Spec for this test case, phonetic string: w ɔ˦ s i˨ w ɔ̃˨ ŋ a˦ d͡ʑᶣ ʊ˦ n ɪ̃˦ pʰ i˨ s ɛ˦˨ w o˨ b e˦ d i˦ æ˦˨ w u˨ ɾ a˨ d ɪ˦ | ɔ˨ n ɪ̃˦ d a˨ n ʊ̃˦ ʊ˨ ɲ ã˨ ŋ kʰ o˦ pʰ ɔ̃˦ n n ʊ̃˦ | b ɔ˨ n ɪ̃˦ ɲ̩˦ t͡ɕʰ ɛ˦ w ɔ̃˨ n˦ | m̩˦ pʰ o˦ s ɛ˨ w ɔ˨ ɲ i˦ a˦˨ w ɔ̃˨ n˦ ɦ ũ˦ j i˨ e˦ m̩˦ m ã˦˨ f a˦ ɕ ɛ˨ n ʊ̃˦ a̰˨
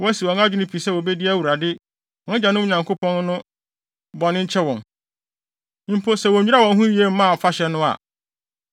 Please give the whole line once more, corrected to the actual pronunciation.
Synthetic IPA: w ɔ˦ s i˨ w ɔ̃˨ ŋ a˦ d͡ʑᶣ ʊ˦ n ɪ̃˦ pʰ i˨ s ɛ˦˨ w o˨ b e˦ d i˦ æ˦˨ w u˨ ɾ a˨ d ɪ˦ | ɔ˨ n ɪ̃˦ d͡ʑ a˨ n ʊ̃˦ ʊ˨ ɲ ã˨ ŋ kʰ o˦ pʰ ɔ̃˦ n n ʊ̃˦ | b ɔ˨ n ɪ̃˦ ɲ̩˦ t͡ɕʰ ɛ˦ w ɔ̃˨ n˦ | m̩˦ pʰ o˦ s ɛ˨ w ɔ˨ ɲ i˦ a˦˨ w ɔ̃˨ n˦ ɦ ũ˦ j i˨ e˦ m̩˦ m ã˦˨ f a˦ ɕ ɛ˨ n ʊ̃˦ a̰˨